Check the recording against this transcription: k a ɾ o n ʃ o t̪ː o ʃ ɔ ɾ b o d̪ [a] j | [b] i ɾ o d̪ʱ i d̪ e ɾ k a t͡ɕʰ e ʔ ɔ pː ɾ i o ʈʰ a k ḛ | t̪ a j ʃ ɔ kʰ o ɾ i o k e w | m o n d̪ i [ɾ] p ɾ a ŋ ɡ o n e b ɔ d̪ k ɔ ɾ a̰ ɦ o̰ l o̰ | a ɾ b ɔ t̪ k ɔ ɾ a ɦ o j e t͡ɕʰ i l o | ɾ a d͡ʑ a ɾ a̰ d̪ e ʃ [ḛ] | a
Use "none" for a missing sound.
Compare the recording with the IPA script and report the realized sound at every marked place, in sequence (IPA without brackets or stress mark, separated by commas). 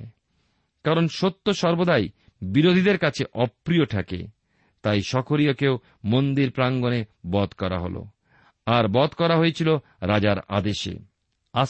a, b, ɾ, ḛ